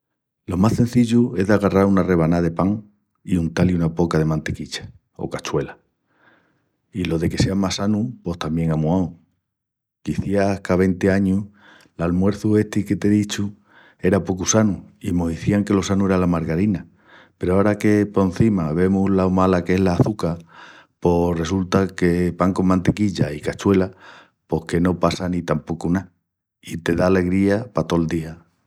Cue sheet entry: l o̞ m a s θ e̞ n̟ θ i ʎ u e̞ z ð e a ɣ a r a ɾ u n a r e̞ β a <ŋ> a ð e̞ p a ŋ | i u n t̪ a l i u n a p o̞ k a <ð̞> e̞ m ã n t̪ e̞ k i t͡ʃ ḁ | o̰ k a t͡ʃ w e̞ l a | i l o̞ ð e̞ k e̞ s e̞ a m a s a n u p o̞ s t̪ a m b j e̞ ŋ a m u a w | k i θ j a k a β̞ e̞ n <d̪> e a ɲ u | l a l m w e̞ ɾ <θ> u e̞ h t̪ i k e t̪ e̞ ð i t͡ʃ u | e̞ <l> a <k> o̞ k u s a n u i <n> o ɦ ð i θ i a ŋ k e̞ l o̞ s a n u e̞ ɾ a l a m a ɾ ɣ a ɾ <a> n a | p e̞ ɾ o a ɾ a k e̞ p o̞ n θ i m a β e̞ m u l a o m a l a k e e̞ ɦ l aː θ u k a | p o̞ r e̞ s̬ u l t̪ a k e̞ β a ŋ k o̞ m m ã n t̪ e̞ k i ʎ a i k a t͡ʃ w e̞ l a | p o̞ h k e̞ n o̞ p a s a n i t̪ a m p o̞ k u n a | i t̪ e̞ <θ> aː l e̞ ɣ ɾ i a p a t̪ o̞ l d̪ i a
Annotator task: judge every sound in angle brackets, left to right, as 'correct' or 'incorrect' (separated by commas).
incorrect, correct, incorrect, correct, incorrect, incorrect, incorrect, incorrect, incorrect